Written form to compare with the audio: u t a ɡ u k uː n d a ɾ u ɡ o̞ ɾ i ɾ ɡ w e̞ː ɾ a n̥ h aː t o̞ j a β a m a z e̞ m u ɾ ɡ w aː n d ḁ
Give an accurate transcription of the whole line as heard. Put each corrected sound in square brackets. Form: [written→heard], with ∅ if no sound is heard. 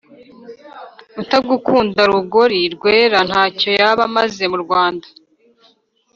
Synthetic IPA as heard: u t a ɡ u k uː n d a ɾ u ɡ o̞ ɾ i ɾ ɡ w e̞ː ɾ a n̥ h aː [t→c] o̞ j a β a m a z e̞ m u ɾ ɡ w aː n d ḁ